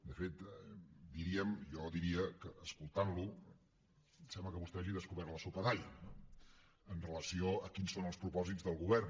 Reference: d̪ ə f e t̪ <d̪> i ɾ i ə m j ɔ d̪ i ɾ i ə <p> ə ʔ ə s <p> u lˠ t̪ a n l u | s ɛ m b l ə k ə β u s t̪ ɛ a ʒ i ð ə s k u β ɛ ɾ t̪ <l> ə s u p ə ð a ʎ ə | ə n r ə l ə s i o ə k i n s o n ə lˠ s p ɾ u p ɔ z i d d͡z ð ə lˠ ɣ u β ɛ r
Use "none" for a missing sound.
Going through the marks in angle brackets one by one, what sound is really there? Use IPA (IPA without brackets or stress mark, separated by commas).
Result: d̪, k, k, l